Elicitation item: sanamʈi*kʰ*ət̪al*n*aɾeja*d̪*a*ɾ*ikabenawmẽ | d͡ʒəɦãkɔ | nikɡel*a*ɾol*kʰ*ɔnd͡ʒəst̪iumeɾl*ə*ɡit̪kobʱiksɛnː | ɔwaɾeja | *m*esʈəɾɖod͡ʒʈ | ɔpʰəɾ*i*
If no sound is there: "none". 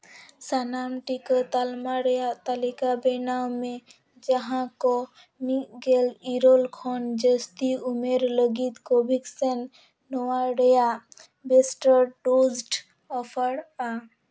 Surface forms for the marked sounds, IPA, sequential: k, m, t̪, l, i, kʰ, ə, b, a

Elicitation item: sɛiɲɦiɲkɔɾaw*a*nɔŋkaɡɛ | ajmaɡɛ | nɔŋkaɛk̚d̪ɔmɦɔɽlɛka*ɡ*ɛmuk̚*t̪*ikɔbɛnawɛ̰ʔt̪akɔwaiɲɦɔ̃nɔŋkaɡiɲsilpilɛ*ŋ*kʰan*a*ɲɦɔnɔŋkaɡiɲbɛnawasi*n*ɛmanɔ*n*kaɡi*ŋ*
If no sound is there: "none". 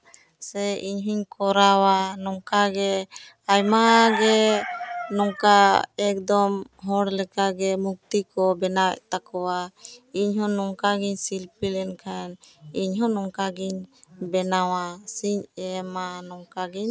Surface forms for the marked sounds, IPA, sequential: a, ɡ, t̪, n, i, ɲ, ŋ, ɲ

